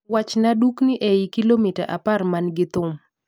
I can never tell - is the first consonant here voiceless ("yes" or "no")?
no